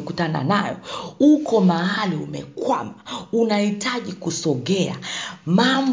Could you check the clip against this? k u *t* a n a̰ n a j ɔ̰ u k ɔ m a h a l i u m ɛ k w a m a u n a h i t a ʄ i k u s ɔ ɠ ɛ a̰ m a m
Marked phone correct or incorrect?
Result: correct